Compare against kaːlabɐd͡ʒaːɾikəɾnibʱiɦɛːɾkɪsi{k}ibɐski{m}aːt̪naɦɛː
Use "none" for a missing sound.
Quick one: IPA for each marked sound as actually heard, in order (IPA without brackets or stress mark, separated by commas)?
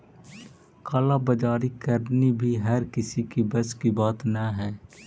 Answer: k, b